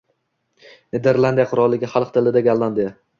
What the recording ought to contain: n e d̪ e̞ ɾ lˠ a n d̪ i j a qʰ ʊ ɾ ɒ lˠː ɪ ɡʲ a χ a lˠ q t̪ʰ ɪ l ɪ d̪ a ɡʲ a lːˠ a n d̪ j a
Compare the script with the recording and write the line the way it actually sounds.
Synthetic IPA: n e d̪ e̞ ɾ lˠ a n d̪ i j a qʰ ʊ ɾ ɒ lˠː ɪ ɡʲ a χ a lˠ q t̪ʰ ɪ l ɪ d̪ a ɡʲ a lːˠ a n d̪ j a